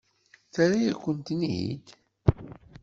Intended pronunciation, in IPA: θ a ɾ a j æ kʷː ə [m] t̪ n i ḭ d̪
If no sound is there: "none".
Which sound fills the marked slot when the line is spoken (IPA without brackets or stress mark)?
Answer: n